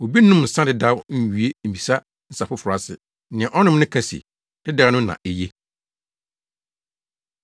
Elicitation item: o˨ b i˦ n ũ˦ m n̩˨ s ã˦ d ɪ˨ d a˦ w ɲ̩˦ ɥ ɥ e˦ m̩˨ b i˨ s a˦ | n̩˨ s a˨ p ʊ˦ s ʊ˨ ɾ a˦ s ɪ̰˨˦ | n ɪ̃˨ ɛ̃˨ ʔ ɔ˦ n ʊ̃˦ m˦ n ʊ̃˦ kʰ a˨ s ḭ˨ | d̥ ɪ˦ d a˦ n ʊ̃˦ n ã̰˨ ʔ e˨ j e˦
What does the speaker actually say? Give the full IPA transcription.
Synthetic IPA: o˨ b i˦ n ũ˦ m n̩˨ s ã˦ d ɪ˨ d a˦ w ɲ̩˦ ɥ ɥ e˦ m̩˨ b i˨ s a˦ | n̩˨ s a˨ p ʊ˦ f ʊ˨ ɾ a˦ s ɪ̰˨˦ | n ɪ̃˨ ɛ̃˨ ʔ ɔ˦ n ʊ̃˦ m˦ n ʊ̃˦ kʰ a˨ s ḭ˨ | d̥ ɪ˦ d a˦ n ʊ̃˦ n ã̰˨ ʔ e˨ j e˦